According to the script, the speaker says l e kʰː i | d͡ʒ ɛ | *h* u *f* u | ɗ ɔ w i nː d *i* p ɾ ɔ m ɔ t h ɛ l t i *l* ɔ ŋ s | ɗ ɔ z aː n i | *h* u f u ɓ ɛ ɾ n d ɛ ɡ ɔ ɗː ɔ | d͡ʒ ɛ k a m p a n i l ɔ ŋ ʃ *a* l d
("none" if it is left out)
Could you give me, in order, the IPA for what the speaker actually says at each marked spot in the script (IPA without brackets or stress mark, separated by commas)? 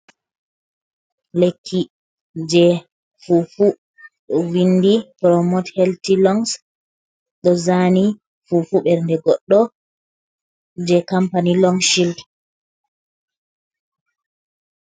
f, f, i, l, f, i